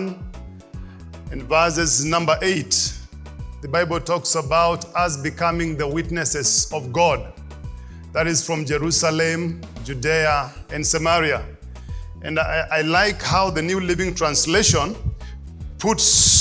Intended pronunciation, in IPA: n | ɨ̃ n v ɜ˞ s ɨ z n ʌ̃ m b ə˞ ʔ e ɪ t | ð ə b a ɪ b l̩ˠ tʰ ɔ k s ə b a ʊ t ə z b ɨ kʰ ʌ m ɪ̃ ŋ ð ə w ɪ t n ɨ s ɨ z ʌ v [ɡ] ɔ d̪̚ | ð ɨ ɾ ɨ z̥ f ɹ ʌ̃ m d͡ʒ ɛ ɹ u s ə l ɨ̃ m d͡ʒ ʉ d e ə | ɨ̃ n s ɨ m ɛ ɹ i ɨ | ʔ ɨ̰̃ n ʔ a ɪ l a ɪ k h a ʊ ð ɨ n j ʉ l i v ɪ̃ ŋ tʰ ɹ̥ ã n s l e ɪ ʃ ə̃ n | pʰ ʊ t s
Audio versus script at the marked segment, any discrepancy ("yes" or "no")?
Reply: no